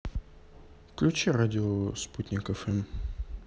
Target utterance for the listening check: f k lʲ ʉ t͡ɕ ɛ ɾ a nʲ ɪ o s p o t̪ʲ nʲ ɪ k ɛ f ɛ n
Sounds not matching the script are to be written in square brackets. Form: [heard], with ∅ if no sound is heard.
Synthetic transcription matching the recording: f k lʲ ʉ t͡ɕ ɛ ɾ a [dʲ] ɪ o s p [u] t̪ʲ nʲ ɪ k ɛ f ɛ [m]